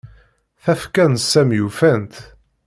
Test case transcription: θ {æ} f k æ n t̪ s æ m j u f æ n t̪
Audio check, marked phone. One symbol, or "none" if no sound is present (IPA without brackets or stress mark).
æ